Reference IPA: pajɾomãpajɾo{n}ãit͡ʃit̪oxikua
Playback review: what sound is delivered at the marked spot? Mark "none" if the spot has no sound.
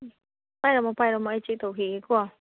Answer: m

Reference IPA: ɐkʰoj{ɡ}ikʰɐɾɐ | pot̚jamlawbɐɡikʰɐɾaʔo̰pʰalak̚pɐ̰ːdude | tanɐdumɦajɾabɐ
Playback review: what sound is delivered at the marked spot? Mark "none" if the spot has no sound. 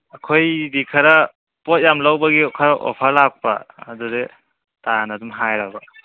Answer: d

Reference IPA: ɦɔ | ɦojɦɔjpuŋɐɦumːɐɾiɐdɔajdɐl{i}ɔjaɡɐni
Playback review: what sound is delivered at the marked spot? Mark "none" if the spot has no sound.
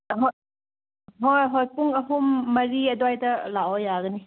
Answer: a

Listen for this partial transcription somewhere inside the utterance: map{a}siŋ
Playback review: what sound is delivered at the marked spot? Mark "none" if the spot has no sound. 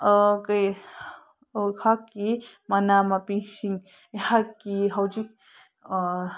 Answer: i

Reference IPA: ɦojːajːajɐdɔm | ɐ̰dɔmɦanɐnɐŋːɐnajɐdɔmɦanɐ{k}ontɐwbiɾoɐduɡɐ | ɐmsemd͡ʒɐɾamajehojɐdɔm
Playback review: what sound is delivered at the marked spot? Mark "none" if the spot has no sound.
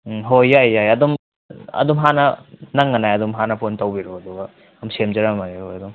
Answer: p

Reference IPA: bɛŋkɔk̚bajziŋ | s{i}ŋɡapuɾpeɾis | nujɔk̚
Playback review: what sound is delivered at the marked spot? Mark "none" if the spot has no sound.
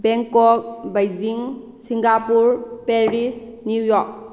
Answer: i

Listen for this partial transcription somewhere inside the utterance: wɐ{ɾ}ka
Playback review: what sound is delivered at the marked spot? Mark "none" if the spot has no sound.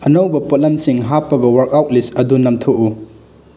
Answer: ɾ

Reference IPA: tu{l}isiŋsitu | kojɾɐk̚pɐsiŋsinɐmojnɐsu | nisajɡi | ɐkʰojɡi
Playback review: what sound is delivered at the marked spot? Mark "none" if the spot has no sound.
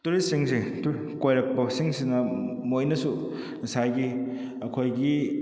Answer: ɾ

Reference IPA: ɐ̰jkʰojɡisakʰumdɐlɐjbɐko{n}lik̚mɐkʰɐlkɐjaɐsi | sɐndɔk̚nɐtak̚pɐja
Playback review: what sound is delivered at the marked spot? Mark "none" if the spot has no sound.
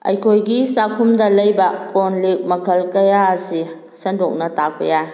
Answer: n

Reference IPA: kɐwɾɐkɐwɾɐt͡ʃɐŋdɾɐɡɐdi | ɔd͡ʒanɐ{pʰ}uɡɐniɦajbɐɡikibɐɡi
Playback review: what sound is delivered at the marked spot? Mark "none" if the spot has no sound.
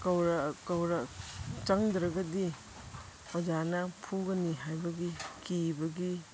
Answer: pʰ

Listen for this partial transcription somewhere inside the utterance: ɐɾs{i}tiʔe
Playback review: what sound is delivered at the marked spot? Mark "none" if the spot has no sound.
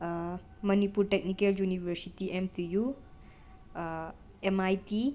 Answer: i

